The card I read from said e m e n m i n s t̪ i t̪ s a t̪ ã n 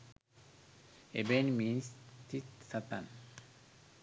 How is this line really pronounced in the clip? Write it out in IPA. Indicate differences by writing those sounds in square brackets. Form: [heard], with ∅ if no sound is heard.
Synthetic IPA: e [b] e n m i n s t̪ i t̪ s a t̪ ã n